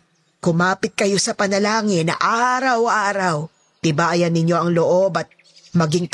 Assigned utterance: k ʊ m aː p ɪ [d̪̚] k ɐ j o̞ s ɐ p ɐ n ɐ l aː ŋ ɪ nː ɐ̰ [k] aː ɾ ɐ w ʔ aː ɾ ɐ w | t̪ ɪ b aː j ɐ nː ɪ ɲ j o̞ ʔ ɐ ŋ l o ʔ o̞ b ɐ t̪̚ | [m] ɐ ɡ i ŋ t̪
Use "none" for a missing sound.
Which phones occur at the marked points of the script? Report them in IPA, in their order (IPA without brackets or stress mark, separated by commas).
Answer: t̪̚, ʔ, m